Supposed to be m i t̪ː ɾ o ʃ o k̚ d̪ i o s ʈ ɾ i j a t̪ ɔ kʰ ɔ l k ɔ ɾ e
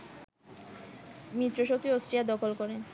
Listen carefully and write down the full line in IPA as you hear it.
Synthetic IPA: m i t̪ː ɾ o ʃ o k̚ t̪ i o s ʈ ɾ i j a d̪ ɔ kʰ o l k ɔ ɾ e

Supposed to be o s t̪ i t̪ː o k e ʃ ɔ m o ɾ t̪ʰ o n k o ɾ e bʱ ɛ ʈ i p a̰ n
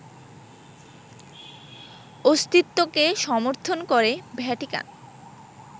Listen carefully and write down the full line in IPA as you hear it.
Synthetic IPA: o s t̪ i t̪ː o k e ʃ ɔ m o ɾ t̪ʰ o n k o ɾ e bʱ ɛ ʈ i k a̰ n

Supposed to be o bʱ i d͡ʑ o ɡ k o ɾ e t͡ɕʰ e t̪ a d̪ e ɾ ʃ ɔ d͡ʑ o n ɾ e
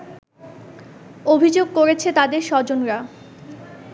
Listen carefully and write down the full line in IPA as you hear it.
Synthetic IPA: o bʱ i d͡ʑ o ɡ k o ɾ e t͡ɕʰ e t̪ a d̪ e ɾ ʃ ɔ d͡ʑ o n ɾ a

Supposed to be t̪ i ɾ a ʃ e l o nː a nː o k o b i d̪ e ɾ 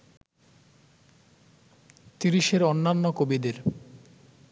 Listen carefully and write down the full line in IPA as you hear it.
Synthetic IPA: t̪ i ɾ i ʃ e ɾ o nː a nː o k o b i d̪ e ɾ

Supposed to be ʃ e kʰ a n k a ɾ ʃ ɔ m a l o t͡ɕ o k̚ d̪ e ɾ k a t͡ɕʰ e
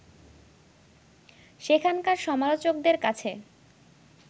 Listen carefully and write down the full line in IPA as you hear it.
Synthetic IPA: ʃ e kʰ a n k a ɾ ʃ ɔ m a l o t͡ɕ o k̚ d̪ e ɾ k a t͡ɕʰ e

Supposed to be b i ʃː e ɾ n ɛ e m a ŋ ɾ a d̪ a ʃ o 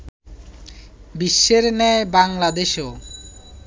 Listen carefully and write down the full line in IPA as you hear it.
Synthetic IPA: b i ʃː e ɾ n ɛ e b a ŋ l a d̪ e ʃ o

